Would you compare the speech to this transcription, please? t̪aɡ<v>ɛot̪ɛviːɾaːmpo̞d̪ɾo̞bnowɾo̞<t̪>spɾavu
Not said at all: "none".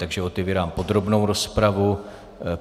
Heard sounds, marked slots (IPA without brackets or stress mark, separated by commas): ʒ, none